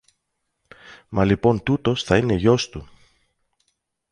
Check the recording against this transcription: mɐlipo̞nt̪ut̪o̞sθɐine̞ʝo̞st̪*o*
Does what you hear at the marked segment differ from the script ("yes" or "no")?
yes